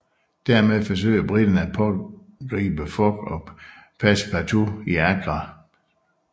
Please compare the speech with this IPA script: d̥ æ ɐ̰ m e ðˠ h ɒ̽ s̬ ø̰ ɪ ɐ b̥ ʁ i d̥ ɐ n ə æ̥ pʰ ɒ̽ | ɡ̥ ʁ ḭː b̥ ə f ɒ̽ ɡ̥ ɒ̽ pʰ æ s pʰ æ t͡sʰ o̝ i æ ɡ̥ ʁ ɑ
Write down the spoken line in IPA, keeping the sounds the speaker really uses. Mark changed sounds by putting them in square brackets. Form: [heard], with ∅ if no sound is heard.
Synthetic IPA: d̥ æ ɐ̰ m e ðˠ [f] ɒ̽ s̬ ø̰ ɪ ɐ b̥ ʁ i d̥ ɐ n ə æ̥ pʰ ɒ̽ | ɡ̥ ʁ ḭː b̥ ə f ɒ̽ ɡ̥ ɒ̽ pʰ æ s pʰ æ t͡sʰ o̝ i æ ɡ̥ ʁ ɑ